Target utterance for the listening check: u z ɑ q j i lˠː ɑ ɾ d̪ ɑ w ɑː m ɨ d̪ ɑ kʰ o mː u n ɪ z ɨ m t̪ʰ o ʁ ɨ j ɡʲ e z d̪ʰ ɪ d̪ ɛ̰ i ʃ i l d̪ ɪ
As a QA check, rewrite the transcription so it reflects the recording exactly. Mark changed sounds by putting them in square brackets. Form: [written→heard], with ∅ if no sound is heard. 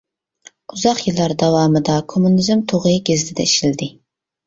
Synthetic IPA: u z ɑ q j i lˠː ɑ ɾ d̪ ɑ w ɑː m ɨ d̪ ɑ kʰ o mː u n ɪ z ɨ m t̪ʰ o ʁ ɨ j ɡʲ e z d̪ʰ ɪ d̪ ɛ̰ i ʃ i l d̪ ɪ